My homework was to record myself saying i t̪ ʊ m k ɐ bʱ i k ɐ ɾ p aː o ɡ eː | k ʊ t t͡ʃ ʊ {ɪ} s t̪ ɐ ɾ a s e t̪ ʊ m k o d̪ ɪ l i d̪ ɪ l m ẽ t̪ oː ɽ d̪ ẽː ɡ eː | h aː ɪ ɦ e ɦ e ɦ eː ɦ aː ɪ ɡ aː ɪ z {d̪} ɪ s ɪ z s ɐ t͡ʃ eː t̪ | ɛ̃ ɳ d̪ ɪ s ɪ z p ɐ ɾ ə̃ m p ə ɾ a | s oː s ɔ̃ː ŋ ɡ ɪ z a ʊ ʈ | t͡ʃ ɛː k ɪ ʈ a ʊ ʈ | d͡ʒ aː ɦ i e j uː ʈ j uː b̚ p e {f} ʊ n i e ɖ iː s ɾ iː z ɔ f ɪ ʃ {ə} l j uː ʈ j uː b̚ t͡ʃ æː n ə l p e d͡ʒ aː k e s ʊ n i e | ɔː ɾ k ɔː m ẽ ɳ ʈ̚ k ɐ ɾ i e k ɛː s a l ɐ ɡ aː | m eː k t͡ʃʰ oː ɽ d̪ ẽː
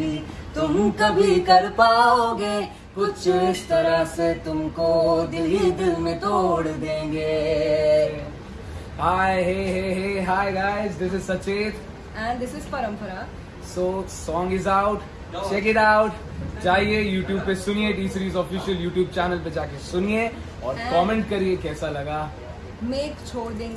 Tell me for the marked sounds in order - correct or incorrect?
correct, correct, incorrect: s, correct

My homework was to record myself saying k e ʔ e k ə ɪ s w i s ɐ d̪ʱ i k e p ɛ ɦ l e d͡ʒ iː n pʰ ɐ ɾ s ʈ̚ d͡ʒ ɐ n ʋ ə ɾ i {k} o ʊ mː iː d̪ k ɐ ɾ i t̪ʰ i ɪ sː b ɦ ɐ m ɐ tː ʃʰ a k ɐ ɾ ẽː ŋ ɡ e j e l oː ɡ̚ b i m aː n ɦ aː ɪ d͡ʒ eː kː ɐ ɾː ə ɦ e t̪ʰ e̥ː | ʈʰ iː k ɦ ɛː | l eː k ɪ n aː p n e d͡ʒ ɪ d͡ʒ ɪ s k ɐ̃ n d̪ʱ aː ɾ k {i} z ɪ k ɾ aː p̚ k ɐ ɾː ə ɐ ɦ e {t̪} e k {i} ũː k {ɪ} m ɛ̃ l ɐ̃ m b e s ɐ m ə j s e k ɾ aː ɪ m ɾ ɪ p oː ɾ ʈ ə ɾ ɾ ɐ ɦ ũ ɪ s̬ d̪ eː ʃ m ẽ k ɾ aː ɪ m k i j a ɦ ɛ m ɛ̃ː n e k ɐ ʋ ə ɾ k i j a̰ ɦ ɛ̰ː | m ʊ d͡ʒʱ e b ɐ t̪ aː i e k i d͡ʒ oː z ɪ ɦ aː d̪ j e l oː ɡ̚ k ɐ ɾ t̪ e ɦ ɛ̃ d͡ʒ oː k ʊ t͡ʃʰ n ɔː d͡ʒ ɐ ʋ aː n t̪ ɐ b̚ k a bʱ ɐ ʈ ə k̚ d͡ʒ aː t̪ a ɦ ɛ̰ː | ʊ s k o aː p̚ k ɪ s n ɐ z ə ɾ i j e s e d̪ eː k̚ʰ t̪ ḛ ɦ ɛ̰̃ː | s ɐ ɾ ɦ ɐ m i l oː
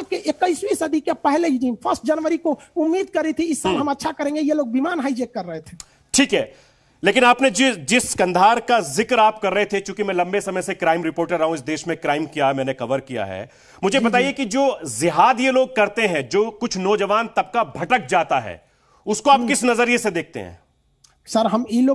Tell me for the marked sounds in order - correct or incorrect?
correct, incorrect: a, incorrect: t̪ʰ, incorrect: j, incorrect: i

